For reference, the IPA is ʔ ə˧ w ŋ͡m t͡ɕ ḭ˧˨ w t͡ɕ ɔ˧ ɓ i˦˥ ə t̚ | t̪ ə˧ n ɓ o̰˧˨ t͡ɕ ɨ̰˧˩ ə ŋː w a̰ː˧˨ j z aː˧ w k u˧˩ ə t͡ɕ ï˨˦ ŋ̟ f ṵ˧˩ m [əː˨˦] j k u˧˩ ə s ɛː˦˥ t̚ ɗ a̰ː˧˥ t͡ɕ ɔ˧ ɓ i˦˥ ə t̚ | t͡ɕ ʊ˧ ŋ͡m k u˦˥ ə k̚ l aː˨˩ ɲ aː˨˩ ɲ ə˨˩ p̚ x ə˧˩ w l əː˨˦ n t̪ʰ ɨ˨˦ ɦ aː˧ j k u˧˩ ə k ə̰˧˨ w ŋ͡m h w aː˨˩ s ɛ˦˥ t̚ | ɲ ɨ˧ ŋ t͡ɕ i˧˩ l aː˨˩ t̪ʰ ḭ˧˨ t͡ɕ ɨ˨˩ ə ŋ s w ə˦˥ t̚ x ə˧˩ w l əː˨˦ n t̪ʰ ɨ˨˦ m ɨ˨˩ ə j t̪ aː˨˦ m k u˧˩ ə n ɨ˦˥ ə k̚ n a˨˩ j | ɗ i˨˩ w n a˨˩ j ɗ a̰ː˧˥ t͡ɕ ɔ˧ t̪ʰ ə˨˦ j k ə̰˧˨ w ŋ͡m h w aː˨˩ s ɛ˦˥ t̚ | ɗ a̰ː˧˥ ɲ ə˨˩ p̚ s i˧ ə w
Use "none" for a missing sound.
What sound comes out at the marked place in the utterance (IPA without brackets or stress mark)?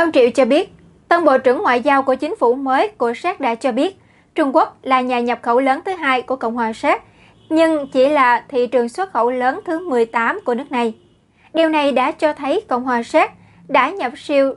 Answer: əː˨˦